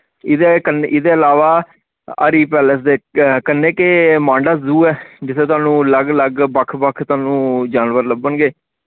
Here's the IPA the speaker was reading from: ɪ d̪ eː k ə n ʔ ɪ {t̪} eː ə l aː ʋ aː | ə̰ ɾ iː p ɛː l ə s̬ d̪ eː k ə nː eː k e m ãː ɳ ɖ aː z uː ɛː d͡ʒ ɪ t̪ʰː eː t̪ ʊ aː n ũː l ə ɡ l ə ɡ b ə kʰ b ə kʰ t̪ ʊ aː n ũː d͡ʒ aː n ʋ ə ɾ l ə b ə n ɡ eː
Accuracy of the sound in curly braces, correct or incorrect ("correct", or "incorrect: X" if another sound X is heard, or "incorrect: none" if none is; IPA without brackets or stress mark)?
incorrect: d̪